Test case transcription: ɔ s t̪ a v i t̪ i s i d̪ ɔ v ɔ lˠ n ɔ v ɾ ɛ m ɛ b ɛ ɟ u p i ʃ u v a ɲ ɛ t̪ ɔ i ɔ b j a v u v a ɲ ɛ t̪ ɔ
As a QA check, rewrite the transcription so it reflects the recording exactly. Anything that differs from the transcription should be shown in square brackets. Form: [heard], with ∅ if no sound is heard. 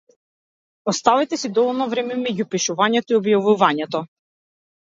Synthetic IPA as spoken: ɔ s t̪ a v i t̪ [ɛ] s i d̪ ɔ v ɔ lˠ n ɔ v ɾ ɛ m ɛ [m] ɛ ɟ u p i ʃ u v a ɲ ɛ t̪ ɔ i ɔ b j a v u v a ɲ ɛ t̪ ɔ